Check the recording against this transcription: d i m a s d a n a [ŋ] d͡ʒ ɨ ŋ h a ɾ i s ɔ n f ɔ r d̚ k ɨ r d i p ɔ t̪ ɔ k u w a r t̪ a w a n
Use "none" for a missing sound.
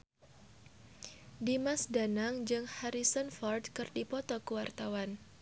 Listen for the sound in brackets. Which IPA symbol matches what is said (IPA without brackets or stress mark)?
ŋ